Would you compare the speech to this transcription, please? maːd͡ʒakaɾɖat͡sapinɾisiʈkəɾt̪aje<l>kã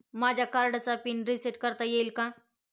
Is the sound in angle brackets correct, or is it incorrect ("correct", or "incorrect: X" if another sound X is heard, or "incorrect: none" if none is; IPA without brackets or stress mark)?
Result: correct